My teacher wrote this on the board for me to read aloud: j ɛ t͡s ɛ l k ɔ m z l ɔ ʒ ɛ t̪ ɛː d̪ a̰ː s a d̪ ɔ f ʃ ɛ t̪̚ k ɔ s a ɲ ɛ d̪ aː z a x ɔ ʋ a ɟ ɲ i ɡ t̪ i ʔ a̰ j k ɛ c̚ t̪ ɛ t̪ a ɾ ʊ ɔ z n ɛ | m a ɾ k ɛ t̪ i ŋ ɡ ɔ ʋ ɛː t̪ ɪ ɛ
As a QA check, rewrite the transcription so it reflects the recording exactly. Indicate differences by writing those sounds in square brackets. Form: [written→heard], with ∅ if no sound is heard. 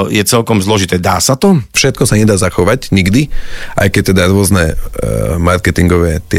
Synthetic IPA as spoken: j ɛ t͡s ɛ l k ɔ m z l ɔ ʒ [ɛ→i] t̪ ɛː d̪ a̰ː s a [d̪→t̪] ɔ f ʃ ɛ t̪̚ k ɔ s a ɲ ɛ d̪ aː z a x ɔ ʋ a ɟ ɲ i ɡ [t̪→d̪] i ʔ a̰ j k ɛ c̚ t̪ ɛ [t̪→d̪] a ɾ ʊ ɔ z n ɛ | m a ɾ k ɛ t̪ i ŋ ɡ ɔ ʋ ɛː t̪ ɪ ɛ